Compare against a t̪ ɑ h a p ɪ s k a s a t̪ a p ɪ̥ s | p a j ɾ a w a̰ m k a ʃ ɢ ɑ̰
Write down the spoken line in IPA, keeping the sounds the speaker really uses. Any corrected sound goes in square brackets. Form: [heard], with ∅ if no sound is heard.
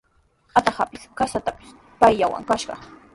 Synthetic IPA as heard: a t̪ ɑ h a p ɪ s k a s a t̪ a p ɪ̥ s | p a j [ʎ] a w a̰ [ŋ] k a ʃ ɢ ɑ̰